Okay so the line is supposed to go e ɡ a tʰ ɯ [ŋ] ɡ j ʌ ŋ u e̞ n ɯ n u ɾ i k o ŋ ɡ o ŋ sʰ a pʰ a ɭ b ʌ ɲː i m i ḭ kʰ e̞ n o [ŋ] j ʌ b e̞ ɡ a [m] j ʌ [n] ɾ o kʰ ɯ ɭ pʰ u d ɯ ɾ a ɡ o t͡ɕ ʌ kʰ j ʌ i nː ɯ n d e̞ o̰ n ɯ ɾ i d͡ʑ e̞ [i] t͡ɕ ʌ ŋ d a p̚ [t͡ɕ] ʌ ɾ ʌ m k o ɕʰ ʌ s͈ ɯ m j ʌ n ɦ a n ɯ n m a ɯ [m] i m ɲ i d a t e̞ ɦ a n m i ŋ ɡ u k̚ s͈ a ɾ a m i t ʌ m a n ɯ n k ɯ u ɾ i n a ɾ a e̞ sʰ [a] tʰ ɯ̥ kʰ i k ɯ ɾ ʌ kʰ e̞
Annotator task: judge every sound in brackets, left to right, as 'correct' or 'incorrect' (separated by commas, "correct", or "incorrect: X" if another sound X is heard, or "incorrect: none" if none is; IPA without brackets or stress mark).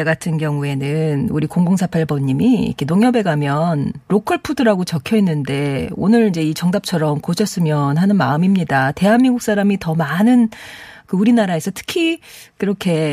incorrect: n, correct, correct, correct, correct, incorrect: t͡ɕʰ, correct, incorrect: ʌ